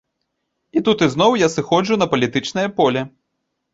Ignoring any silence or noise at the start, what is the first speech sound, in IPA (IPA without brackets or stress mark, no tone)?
i